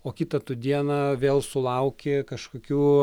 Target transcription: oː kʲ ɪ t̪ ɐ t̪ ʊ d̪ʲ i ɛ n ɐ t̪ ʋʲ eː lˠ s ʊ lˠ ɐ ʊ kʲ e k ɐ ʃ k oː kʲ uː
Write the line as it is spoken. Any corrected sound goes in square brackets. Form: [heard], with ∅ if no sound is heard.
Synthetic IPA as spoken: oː kʲ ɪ t̪ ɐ t̪ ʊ d̪ʲ i ɛ n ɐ [∅] ʋʲ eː lˠ s ʊ lˠ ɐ ʊ kʲ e k ɐ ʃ k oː kʲ uː